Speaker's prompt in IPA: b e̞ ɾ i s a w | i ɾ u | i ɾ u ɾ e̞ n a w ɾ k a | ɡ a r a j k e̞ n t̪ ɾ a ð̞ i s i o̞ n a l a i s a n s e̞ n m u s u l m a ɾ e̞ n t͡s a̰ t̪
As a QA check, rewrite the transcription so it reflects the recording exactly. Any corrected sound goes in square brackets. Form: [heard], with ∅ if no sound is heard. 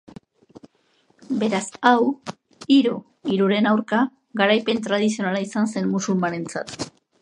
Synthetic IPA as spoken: b e̞ ɾ [a] s a w | i ɾ u | i ɾ u ɾ e̞ n a w ɾ k a | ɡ a [ɾ] a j [p] e̞ n t̪ ɾ a ð̞ i s i o̞ n a l a i s a n s e̞ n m u s u l m a ɾ e̞ n t͡s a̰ t̪

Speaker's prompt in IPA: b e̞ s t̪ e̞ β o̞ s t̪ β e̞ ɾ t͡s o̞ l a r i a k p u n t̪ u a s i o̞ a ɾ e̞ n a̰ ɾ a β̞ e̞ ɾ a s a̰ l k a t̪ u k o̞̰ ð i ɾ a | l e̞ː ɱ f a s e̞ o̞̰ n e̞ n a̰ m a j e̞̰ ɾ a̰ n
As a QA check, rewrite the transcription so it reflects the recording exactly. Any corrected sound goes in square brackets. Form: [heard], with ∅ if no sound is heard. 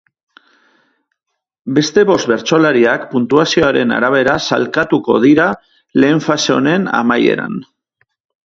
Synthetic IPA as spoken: b e̞ s t̪ e̞ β o̞ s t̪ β e̞ ɾ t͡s o̞ l a [ɾ] i a k p u n t̪ u a s i o̞ a ɾ e̞ n a̰ ɾ a β̞ e̞ ɾ a s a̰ l k a t̪ u k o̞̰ ð i ɾ a | l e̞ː ɱ f a s e̞ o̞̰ n e̞ n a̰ m a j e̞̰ ɾ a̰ n

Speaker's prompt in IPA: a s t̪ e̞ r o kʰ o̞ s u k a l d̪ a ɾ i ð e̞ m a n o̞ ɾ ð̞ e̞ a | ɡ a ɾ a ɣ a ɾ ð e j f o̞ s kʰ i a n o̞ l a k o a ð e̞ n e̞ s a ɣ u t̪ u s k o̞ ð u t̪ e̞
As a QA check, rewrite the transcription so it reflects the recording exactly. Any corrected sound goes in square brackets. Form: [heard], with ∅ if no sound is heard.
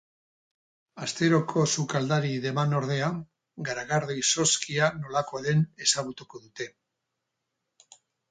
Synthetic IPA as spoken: a s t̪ e̞ [ɾ] o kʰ o̞ s u k a l d̪ a ɾ i ð e̞ m a n o̞ ɾ ð̞ e̞ a | ɡ a ɾ a ɣ a ɾ ð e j [s] o̞ s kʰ i a n o̞ l a k o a ð e̞ n e̞ s a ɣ u t̪ u [∅] k o̞ ð u t̪ e̞

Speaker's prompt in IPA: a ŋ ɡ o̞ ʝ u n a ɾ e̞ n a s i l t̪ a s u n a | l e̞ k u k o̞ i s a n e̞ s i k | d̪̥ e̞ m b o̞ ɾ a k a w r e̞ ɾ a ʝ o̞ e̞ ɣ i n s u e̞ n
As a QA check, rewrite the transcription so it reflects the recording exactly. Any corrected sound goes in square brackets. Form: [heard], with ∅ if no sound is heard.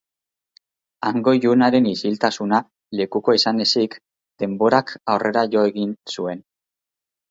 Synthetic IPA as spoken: a ŋ ɡ o̞ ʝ u n a ɾ e̞ n [i] s i l t̪ a s u n a | l e̞ k u k o̞ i s a n e̞ s i k | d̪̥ e̞ m b o̞ ɾ a k a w r e̞ ɾ a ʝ o̞ e̞ ɣ i n s u e̞ n

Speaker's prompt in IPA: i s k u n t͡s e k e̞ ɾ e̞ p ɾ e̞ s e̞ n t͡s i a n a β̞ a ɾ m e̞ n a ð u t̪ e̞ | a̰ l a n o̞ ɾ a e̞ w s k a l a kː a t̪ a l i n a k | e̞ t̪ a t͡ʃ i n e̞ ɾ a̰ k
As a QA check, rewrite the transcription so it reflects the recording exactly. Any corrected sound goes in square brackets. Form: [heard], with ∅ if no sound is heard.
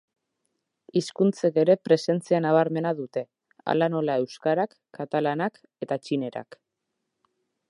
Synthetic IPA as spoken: i s k u n t͡s e k e̞ ɾ e̞ p ɾ e̞ s e̞ n t͡s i a n a β̞ a ɾ m e̞ n a ð u t̪ e̞ | a̰ l a n o̞ [l] a e̞ w s k a [ɾ] a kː a t̪ a l [a] n a k | e̞ t̪ a t͡ʃ i n e̞ ɾ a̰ k

